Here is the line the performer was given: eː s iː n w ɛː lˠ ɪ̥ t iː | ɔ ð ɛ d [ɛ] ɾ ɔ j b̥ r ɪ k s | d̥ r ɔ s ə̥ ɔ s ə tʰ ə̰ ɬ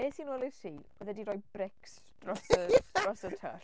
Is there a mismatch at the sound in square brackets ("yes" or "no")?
yes